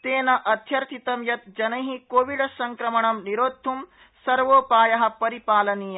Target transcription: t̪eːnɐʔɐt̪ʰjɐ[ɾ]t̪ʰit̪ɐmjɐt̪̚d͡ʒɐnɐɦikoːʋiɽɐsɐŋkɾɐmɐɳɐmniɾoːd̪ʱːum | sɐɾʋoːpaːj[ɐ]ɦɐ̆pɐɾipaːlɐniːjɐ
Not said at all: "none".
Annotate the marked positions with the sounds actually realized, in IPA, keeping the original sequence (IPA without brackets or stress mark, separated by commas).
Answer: ɾ, ɐ